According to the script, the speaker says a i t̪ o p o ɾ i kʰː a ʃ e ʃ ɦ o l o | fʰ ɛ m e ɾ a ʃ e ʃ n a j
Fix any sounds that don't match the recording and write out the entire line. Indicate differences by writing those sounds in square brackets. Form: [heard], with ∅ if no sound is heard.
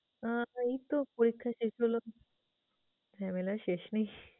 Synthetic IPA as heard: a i t̪ o p o ɾ i kʰː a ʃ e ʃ ɦ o l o | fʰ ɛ m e [l] a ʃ e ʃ n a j